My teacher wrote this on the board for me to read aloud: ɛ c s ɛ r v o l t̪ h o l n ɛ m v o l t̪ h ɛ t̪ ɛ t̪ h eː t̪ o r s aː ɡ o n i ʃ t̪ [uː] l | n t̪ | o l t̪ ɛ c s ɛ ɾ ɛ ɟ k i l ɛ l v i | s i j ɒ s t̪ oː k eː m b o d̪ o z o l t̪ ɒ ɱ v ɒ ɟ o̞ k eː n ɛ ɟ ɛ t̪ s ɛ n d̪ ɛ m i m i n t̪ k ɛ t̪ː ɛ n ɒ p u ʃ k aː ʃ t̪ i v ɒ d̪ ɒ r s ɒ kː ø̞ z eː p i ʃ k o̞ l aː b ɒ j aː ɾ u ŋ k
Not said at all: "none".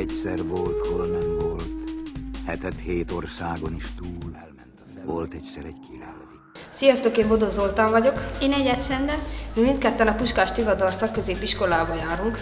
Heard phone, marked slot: uː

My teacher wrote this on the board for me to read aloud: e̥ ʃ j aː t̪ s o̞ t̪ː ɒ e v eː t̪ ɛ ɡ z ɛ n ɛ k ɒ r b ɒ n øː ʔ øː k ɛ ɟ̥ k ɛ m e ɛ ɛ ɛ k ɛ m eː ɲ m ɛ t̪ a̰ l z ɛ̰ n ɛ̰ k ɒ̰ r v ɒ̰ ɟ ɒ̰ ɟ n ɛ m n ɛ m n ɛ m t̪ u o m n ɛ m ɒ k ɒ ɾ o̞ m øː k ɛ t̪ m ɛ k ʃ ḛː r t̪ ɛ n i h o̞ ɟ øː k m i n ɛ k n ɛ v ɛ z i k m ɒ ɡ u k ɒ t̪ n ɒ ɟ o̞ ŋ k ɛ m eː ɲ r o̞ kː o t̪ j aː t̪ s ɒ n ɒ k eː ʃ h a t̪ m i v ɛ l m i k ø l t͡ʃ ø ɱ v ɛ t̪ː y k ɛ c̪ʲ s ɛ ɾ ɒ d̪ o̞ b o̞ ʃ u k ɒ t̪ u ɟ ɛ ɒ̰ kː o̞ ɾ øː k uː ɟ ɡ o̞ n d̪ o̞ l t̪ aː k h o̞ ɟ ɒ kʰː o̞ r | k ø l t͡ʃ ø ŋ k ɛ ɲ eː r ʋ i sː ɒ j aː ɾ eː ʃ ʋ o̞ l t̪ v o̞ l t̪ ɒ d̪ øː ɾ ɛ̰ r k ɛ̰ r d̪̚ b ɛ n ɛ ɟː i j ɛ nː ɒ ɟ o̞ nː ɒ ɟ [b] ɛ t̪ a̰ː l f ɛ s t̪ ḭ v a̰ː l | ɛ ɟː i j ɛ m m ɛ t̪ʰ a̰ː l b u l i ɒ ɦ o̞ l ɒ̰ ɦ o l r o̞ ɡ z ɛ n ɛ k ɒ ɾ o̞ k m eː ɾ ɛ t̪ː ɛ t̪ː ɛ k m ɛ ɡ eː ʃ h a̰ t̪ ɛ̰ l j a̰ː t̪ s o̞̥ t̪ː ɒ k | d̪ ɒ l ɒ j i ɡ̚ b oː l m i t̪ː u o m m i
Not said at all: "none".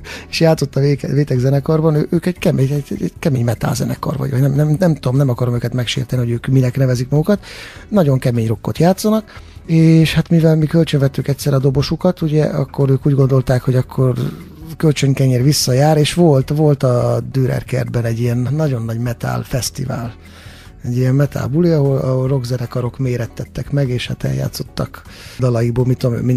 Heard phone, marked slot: m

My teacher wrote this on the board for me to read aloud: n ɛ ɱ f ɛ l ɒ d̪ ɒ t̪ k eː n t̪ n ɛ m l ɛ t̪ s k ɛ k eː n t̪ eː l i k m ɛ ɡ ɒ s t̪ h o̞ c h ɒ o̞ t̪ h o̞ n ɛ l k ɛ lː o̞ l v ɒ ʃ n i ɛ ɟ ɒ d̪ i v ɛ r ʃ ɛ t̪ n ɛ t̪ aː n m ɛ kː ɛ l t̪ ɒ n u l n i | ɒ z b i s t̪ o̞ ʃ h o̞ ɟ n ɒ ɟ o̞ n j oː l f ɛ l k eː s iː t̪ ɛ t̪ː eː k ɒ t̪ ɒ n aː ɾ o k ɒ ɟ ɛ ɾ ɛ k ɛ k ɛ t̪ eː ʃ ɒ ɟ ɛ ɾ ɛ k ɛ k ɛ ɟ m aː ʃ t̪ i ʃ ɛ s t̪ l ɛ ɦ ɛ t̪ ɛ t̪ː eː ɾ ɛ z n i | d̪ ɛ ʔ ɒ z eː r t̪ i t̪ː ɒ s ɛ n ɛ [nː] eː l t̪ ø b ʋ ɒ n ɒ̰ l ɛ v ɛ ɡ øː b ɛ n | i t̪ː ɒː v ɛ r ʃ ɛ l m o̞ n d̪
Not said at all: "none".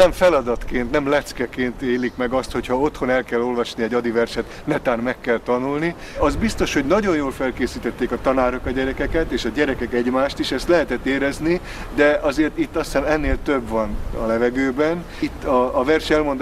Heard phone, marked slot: nː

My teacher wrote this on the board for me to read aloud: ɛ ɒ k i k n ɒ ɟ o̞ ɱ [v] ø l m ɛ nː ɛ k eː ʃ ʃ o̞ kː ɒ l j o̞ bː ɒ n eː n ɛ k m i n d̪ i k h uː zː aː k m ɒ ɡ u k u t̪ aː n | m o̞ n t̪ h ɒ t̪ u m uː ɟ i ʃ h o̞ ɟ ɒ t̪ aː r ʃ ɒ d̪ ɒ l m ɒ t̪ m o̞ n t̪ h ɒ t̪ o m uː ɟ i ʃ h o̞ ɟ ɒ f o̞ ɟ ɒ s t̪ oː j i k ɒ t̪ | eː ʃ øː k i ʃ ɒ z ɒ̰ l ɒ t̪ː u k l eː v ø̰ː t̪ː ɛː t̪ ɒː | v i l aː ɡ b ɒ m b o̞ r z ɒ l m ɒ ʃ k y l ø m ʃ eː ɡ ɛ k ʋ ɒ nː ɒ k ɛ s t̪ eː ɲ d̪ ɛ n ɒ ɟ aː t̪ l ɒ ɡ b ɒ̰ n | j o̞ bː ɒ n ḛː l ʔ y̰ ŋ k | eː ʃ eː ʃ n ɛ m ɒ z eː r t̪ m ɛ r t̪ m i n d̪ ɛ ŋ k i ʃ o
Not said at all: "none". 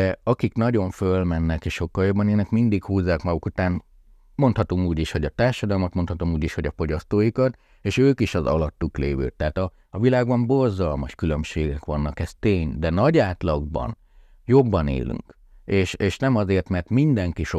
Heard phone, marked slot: f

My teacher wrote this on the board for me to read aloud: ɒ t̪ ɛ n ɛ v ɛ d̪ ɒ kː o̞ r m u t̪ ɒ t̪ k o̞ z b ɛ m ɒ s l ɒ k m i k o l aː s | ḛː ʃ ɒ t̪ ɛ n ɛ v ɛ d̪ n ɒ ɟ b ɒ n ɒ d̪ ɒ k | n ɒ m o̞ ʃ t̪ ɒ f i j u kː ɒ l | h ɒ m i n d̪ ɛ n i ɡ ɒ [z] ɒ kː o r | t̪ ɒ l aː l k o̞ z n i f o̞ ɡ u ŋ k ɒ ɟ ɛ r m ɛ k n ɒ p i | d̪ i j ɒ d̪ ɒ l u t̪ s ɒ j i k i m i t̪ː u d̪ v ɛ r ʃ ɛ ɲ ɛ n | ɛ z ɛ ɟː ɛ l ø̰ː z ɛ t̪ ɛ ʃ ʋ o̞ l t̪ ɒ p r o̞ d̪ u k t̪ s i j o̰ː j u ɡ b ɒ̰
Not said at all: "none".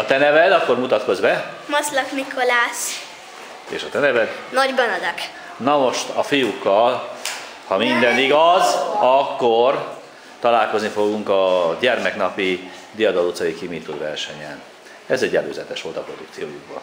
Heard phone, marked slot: z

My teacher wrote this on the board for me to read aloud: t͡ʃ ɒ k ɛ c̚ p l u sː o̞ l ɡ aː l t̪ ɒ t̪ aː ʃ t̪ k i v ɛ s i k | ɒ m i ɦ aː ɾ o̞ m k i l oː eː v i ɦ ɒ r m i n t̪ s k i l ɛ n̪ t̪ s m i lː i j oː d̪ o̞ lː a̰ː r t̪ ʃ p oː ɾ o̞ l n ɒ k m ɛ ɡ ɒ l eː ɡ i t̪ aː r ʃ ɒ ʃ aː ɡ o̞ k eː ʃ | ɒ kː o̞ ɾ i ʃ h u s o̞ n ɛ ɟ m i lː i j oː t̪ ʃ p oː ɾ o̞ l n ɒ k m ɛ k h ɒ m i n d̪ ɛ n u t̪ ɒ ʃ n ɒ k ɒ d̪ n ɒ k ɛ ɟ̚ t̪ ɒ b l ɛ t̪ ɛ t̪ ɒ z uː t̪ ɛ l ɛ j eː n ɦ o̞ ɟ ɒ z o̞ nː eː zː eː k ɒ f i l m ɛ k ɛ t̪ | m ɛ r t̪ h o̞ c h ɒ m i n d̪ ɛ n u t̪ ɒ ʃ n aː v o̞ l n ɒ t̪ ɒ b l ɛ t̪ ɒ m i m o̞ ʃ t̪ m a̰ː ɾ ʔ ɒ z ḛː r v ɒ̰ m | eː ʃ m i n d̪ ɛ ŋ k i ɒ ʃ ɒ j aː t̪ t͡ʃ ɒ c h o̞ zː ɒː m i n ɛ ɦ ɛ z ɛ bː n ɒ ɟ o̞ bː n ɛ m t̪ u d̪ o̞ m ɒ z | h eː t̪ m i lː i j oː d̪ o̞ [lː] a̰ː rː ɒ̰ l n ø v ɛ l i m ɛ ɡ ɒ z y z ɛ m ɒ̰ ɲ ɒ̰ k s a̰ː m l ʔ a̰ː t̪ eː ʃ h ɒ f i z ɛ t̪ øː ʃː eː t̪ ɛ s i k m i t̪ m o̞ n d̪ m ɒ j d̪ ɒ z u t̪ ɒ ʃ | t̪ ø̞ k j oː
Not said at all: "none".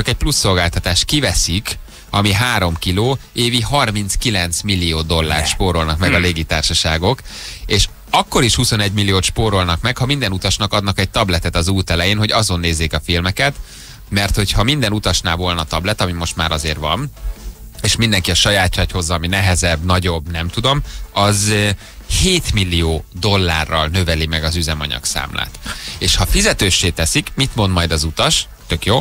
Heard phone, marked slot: lː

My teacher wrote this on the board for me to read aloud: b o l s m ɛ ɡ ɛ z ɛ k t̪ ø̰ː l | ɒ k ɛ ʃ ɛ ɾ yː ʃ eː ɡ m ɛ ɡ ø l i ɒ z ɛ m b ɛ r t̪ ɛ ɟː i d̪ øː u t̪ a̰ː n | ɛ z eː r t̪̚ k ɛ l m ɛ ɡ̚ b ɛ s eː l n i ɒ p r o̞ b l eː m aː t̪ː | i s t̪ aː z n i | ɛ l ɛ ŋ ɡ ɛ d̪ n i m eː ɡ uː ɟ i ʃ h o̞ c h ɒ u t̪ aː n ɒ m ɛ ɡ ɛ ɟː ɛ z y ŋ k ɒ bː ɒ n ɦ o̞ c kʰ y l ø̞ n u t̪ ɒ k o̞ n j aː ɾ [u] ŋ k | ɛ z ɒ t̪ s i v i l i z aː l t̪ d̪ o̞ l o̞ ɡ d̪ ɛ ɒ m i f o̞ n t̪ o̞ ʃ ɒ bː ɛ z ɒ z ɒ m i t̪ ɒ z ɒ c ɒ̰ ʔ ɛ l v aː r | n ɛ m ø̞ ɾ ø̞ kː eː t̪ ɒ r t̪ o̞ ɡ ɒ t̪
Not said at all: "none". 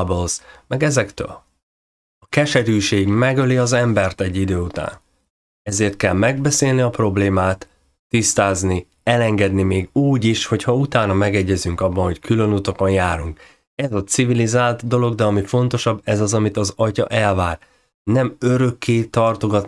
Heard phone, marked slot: u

